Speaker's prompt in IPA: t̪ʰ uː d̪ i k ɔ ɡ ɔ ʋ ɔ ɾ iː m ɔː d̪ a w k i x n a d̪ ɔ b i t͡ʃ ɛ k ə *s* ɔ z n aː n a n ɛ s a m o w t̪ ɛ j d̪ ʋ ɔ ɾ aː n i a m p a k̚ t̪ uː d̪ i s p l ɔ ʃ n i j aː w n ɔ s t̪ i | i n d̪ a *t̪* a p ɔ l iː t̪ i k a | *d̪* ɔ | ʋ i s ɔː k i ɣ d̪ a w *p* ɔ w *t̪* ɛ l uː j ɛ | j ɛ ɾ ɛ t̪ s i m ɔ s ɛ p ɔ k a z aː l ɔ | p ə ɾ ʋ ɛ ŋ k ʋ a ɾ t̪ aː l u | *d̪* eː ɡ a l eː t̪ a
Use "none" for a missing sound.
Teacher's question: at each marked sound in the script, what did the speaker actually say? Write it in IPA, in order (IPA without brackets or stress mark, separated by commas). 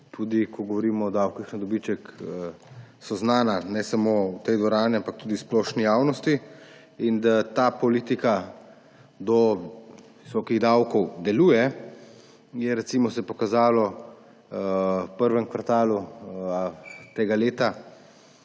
s, t̪, d̪, k, d̪, t̪